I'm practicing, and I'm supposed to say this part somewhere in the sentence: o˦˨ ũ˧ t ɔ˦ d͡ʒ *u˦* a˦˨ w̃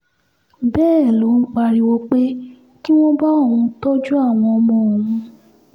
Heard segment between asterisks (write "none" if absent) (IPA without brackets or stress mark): u˦